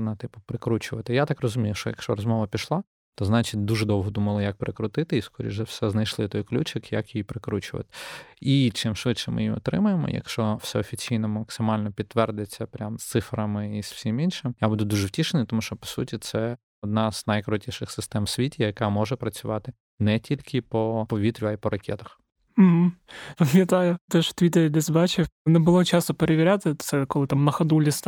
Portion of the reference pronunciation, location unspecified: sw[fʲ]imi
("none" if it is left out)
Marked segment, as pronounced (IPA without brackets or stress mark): sʲ